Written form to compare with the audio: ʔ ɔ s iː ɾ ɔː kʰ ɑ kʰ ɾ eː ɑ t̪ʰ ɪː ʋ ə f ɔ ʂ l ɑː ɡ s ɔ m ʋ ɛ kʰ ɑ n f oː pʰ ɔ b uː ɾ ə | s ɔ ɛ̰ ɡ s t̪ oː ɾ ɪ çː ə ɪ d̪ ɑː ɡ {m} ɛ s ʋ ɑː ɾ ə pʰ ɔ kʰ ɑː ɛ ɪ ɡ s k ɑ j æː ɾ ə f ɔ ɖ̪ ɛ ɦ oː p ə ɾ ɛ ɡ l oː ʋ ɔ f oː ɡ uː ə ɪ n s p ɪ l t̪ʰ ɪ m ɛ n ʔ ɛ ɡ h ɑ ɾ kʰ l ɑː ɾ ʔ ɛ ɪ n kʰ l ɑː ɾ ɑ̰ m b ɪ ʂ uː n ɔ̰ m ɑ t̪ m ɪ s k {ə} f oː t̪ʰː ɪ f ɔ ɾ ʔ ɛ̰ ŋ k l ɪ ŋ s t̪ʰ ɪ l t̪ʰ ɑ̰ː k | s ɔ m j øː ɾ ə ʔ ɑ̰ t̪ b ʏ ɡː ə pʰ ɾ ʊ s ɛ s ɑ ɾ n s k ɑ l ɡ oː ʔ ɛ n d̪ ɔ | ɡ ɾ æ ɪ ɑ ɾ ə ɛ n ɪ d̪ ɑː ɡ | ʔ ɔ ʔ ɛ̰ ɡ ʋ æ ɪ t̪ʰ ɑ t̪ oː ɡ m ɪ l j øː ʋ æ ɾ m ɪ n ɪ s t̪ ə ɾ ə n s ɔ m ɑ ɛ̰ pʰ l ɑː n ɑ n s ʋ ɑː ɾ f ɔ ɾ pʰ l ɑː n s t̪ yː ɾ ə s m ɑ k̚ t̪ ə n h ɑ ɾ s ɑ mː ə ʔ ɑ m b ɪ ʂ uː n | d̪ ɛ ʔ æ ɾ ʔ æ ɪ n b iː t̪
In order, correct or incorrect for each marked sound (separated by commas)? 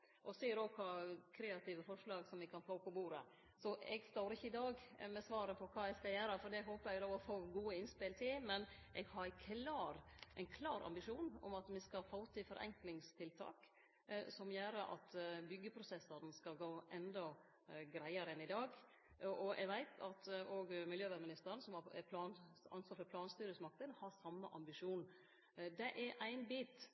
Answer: correct, incorrect